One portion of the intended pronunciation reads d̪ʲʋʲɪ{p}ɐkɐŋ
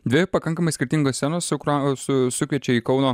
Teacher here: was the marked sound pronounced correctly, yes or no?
yes